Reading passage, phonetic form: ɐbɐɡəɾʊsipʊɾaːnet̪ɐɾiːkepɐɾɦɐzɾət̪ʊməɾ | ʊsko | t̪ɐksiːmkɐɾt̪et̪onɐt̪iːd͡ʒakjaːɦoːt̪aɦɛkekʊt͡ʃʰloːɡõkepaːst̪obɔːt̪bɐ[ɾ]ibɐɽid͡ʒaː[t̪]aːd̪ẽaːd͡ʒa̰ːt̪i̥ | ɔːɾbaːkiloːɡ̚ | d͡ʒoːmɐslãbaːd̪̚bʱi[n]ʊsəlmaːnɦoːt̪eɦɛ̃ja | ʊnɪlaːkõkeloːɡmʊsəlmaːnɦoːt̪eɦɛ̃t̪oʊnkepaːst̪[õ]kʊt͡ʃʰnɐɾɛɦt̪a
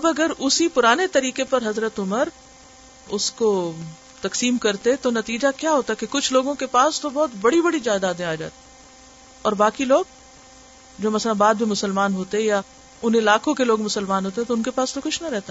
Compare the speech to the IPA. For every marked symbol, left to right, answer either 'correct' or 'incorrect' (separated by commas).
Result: incorrect, incorrect, incorrect, incorrect